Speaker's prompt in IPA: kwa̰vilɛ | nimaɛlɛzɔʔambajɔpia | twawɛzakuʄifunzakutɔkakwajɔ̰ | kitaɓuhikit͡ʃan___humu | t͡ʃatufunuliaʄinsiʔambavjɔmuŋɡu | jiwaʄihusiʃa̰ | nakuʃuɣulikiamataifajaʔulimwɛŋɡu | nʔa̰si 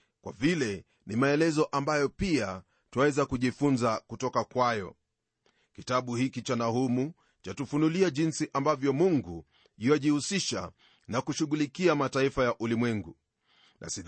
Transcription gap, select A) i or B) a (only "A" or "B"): B